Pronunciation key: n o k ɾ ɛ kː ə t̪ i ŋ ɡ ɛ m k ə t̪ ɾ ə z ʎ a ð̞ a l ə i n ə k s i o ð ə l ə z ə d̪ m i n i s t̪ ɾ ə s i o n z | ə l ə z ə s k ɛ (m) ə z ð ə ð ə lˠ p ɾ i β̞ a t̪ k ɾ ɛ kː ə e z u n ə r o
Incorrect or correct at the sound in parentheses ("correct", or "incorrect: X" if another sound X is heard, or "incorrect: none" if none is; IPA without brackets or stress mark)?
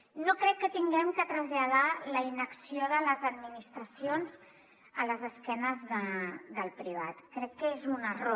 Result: incorrect: n